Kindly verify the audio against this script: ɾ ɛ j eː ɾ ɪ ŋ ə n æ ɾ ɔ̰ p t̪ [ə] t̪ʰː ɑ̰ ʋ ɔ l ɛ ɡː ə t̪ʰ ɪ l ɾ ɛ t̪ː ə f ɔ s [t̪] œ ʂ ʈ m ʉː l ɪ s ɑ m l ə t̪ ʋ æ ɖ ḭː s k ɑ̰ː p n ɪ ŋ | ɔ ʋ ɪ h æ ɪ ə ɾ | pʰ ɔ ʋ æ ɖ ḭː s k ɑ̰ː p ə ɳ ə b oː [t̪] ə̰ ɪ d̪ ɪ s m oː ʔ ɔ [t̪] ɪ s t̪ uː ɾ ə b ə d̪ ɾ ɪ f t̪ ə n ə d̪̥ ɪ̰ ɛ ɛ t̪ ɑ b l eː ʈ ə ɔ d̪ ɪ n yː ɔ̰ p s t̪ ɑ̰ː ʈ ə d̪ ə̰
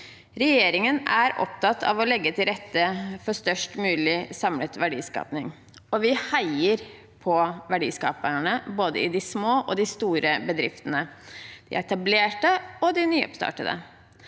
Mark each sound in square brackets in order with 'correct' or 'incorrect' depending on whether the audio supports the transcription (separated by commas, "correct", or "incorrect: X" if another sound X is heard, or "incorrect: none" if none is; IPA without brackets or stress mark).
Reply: incorrect: ɑ, correct, incorrect: d̪, incorrect: d̪